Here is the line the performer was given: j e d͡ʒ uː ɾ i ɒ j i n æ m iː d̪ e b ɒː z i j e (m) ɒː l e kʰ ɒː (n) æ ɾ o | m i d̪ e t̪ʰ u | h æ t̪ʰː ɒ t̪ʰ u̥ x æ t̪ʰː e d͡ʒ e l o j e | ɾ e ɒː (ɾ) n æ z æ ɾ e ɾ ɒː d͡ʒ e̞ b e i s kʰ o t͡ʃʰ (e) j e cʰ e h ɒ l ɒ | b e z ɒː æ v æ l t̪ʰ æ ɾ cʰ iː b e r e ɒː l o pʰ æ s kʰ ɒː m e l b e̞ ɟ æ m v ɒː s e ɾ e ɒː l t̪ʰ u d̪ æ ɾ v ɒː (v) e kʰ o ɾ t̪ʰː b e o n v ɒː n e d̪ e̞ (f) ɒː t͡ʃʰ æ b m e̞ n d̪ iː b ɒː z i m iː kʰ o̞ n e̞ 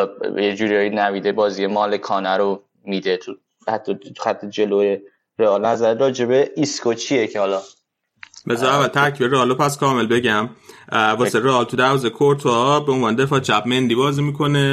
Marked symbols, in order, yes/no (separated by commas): yes, yes, no, no, no, yes